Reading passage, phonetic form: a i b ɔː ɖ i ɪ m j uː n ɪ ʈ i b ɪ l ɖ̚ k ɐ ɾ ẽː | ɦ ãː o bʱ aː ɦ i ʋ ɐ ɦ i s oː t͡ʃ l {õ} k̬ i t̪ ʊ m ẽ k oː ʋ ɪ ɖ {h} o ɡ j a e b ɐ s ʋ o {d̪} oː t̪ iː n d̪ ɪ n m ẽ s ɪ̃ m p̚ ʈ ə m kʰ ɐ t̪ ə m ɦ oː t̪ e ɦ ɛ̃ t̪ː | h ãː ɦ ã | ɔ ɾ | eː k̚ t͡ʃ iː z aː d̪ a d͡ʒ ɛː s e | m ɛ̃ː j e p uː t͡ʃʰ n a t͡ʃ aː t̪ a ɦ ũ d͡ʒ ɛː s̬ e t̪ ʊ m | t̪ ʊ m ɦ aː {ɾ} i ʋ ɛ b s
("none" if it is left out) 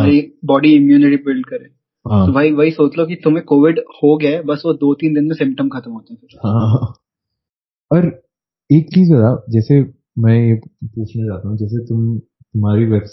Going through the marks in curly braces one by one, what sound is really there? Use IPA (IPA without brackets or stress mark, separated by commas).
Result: o, h, d̪, ɾ